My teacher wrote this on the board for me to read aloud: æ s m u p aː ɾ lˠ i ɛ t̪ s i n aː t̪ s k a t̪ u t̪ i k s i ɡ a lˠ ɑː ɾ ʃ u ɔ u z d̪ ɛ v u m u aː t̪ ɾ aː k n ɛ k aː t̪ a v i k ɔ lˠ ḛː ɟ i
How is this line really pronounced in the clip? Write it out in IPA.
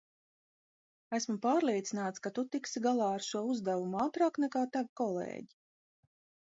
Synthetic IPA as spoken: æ s m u p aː ɾ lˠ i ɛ t̪ s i n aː t̪ s k a t̪ u t̪ i k s i ɡ a lˠ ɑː ɾ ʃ u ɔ u z d̪ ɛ v u m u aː t̪ ɾ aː k n ɛ k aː t̪ a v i k ɔ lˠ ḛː ɟ i

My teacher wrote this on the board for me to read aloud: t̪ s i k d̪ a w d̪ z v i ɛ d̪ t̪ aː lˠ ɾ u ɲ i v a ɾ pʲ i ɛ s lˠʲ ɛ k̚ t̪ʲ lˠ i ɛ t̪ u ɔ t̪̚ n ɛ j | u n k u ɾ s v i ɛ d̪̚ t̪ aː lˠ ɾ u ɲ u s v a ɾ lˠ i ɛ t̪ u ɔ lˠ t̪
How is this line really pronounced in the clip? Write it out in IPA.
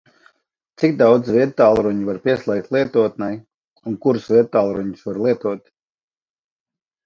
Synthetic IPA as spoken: t̪ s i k d̪ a w d̪ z v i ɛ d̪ t̪ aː lˠ ɾ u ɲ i v a ɾ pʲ i ɛ s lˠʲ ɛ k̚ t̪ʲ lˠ i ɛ t̪ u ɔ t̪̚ n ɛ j | u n k u ɾ s v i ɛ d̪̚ t̪ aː lˠ ɾ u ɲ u s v a ɾ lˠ i ɛ t̪ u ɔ t̪

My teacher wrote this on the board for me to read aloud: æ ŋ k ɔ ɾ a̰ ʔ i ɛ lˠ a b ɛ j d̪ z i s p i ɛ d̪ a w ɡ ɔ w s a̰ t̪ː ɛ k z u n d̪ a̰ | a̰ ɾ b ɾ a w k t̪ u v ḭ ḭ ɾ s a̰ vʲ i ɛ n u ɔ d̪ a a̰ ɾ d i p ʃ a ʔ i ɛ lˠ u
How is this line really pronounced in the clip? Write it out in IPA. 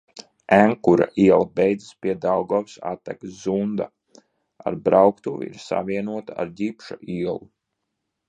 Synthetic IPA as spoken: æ ŋ k u ɾ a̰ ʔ i ɛ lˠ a b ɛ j d̪ z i s p i ɛ d̪ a w ɡ ɔ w s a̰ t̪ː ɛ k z u n d̪ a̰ | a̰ ɾ b ɾ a w k t̪ u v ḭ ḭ ɾ s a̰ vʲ i ɛ n u ɔ t̪ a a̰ ɾ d i p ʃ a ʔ i ɛ lˠ u

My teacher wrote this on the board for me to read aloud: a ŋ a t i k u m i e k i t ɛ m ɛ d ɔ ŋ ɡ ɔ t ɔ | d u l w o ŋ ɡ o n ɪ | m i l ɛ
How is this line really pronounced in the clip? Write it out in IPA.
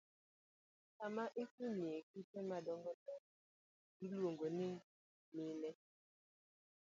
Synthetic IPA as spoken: a m a ʔ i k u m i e k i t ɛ m a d ɔ ŋ ɡ ɔ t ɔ | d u l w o ŋ ɡ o n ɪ | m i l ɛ

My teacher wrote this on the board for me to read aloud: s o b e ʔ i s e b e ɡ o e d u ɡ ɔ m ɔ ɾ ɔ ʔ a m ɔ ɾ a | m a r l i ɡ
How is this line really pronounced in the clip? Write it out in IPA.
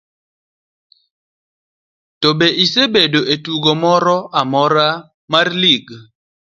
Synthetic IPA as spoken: t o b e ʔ i s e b e d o e t u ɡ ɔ m ɔ ɾ ɔ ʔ a m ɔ ɾ a | m a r l i ɡ

